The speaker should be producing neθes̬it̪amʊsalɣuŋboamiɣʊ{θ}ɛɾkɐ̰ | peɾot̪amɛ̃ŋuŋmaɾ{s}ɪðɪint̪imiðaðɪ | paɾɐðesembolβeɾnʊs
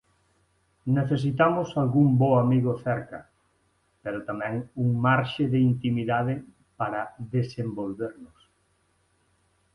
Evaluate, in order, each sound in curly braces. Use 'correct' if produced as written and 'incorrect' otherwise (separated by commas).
correct, incorrect